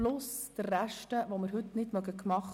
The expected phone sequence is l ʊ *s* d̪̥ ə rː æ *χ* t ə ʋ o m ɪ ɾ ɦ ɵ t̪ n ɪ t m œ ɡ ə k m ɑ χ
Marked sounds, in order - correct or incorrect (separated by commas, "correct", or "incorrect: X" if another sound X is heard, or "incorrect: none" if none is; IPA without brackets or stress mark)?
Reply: correct, incorrect: ʃ